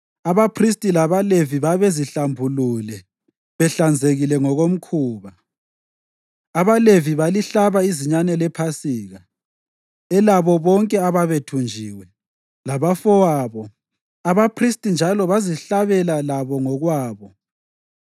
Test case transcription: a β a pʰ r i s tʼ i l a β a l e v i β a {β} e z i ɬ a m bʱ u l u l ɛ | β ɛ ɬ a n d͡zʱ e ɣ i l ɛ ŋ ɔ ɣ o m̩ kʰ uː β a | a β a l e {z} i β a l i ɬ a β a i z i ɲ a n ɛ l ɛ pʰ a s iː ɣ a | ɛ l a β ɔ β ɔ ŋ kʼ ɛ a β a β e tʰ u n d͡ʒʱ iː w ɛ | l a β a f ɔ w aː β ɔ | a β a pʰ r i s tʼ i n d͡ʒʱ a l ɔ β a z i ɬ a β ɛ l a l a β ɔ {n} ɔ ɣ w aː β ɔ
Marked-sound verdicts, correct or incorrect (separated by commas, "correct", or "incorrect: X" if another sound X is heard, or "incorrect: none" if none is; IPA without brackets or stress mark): correct, incorrect: v, incorrect: ŋ